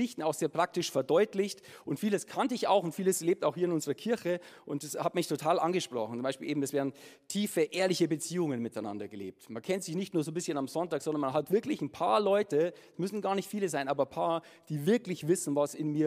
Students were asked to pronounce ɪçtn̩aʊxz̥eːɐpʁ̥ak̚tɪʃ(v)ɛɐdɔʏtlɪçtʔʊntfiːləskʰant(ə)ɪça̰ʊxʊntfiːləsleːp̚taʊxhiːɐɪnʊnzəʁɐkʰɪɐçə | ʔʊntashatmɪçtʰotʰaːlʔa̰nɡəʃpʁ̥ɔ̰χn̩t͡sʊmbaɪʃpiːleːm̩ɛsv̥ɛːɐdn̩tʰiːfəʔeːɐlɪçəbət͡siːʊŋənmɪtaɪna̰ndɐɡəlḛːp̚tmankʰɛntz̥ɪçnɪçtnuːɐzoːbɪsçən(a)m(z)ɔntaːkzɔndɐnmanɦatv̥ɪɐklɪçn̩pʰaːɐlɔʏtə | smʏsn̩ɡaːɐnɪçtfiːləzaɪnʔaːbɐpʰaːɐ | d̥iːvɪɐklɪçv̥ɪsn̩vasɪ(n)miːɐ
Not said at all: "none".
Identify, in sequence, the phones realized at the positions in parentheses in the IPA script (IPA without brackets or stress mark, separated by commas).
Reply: f, ə, a, z, n